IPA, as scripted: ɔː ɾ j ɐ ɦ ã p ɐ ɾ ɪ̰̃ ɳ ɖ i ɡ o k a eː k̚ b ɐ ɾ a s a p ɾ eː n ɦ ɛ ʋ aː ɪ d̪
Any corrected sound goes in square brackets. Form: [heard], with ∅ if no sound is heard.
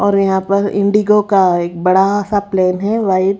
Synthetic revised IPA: ɔː ɾ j ɐ ɦ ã p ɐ ɾ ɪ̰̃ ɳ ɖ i ɡ o k a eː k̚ b ɐ [ɽ] a s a p [l] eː n ɦ ɛ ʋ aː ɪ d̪